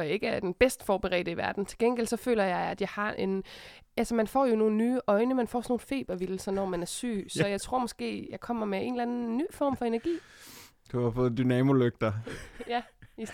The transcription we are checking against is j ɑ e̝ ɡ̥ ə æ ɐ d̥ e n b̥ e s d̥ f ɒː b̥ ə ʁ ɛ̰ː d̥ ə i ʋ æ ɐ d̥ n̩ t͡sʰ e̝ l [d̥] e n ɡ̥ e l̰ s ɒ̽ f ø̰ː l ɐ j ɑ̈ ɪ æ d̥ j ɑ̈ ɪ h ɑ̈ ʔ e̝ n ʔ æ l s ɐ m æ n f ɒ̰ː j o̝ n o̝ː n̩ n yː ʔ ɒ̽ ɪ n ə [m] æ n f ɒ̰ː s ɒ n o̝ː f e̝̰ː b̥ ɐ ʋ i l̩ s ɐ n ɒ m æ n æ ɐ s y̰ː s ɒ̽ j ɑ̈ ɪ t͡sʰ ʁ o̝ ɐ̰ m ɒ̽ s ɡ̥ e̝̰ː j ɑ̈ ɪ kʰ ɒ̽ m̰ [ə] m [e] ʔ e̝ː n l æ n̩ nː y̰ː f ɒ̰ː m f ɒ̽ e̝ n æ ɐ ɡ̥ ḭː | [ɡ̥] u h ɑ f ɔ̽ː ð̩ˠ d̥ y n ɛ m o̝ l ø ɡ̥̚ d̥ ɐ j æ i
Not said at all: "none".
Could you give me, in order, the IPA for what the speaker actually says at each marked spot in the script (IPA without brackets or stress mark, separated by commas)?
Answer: ɡ̥, m, ɐ, e, d̥